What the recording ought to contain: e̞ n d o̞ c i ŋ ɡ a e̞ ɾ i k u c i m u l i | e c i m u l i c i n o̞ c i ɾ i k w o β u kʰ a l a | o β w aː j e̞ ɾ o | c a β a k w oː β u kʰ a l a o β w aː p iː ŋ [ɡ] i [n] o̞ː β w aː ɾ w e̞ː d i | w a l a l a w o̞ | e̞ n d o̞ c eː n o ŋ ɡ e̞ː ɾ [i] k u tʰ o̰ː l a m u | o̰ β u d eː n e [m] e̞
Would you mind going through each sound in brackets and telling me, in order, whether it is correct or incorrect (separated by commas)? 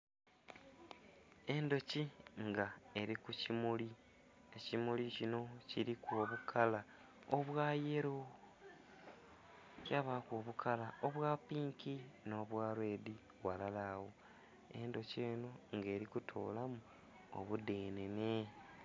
incorrect, correct, correct, incorrect